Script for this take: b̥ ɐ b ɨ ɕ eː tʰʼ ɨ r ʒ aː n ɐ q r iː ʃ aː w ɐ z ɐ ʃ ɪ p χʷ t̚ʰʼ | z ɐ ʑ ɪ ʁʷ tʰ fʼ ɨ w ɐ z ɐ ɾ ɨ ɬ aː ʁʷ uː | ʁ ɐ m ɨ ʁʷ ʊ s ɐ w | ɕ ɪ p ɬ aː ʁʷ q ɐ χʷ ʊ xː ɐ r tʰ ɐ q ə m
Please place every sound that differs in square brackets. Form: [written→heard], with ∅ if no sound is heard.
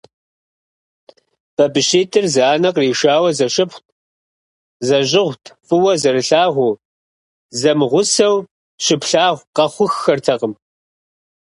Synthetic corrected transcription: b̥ ɐ b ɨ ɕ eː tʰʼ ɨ r [ʒ→z] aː n ɐ q r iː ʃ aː w ɐ z ɐ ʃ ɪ p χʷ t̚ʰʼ | z ɐ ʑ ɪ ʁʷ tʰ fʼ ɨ w ɐ z ɐ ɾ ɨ ɬ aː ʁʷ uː | [ʁ→z] ɐ m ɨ ʁʷ ʊ s ɐ w | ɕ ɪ p ɬ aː ʁʷ q ɐ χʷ ʊ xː ɐ r tʰ ɐ q ə m